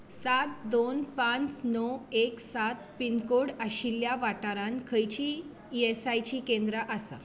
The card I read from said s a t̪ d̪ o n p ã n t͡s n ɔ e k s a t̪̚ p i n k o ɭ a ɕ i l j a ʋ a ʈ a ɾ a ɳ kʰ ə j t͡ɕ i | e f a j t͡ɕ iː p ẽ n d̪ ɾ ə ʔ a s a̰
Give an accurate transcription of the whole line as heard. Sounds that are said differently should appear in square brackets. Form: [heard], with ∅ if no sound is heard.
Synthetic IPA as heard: s a t̪ d̪ o n p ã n t͡s n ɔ e k s a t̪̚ p i n k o [ɽ] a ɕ i l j a ʋ a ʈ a ɾ a [n] kʰ ə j t͡ɕ i | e [s] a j t͡ɕ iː [k] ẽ n d̪ ɾ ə ʔ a s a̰